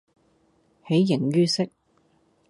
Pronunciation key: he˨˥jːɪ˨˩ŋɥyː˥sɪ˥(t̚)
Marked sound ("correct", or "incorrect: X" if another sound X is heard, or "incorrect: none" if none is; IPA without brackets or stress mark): incorrect: k̚